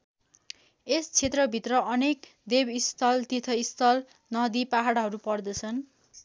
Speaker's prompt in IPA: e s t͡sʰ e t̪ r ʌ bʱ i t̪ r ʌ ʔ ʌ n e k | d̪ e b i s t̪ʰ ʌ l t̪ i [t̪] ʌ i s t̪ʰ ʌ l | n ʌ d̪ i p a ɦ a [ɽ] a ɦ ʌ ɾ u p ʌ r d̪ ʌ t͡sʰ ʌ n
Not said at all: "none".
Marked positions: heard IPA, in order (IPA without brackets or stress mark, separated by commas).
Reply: t̪ʰ, ɽ